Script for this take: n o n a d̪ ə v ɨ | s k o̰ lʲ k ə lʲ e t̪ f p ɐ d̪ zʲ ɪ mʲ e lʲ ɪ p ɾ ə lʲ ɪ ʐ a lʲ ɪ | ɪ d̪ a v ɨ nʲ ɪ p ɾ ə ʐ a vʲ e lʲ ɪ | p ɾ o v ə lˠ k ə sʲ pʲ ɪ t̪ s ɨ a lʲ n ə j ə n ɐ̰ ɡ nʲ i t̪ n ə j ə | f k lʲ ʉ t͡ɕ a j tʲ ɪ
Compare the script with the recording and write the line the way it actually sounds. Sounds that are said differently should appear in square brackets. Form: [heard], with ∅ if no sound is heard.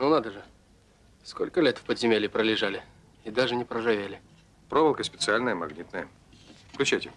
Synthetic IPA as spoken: n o n a d̪ ə [ʐ] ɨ | s k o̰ lʲ k ə lʲ e t̪ f p [ə] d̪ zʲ ɪ mʲ e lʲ ɪ p ɾ ə lʲ ɪ ʐ a lʲ ɪ | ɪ d̪ a [ʐ] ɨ nʲ ɪ p ɾ ə ʐ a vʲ e lʲ ɪ | p ɾ o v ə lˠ k ə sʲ pʲ ɪ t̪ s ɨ a lʲ n ə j ə [m] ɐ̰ ɡ nʲ i t̪ n ə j ə | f k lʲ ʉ t͡ɕ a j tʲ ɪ

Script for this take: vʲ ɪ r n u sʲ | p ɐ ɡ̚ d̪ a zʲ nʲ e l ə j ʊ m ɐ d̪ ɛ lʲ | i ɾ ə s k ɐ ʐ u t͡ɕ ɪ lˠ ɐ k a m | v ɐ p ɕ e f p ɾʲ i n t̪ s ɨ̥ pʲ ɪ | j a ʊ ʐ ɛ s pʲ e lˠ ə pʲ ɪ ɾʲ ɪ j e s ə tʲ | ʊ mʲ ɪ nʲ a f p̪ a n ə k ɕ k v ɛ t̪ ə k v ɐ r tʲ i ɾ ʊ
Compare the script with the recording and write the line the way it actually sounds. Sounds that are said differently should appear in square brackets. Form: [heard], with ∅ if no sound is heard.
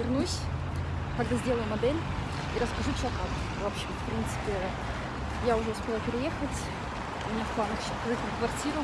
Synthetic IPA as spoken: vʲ ɪ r n u sʲ | [k] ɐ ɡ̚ d̪ a zʲ [dʲ] e l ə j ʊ m ɐ d̪ ɛ lʲ | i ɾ ə s k ɐ ʐ u t͡ɕ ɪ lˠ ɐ k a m | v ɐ p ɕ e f p ɾʲ i n t̪ s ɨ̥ pʲ ɪ | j a ʊ ʐ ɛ s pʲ e lˠ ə pʲ ɪ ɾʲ ɪ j e [x] ə tʲ | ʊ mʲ ɪ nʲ a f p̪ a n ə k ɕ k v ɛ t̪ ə k v ɐ r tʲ i ɾ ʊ

